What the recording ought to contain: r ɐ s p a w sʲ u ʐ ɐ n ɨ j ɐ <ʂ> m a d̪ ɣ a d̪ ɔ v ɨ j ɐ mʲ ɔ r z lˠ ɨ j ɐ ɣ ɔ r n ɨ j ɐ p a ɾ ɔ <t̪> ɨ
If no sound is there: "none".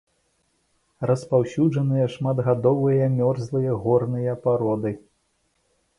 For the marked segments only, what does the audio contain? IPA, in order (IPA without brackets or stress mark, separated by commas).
ʂ, d̪